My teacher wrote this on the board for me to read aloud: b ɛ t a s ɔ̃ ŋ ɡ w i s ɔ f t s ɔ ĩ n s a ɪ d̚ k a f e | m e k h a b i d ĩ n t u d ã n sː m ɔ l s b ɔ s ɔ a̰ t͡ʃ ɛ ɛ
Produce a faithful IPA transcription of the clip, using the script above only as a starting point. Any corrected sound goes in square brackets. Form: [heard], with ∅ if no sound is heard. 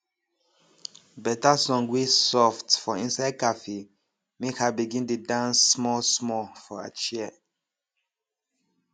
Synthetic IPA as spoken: b ɛ t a s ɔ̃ ŋ ɡ w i s ɔ f t [f] ɔ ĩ n s a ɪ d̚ k a f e | m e k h a b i [ɡ] ĩ n t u d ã n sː m ɔ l s [m] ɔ [f] ɔ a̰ t͡ʃ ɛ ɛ